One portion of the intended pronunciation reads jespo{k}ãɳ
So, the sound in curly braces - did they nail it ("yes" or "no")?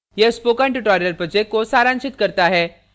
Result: yes